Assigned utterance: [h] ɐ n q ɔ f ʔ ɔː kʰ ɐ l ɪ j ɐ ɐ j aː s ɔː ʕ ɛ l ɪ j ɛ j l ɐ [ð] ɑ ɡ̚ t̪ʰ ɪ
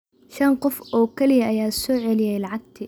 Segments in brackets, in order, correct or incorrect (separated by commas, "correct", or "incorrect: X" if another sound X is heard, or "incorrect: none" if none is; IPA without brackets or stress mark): incorrect: ʃ, incorrect: ʕ